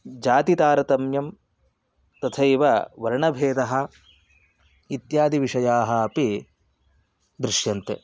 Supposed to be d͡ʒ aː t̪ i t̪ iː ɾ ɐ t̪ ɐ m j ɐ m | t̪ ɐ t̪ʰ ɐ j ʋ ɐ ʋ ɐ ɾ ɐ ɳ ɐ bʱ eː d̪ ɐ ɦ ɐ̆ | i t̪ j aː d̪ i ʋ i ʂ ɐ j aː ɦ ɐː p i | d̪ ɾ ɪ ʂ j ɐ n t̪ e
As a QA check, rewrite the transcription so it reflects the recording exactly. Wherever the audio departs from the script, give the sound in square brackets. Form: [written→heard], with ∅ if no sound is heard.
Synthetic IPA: d͡ʒ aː t̪ i t̪ [iː→aː] ɾ ɐ t̪ ɐ m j ɐ m | t̪ ɐ t̪ʰ ɐ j ʋ ɐ ʋ ɐ ɾ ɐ ɳ ɐ bʱ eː d̪ ɐ ɦ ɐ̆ | i t̪ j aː d̪ i ʋ i ʂ ɐ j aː ɦ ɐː p i | d̪ ɾ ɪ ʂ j ɐ n t̪ e